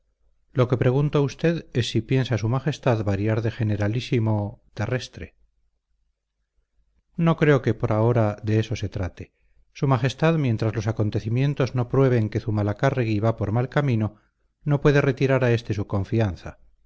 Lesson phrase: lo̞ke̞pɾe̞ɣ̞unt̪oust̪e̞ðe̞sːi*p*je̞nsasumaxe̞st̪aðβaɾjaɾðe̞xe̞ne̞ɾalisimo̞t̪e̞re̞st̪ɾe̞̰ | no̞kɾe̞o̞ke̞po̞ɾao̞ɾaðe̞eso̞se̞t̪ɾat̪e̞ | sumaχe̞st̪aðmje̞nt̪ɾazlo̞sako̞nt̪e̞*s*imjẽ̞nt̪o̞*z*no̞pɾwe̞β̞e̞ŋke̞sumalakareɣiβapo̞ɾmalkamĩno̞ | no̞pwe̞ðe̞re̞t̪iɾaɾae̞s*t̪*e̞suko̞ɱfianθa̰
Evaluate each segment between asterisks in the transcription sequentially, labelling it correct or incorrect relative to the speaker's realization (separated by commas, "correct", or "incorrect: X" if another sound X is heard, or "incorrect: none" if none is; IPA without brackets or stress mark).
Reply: correct, incorrect: θ, correct, correct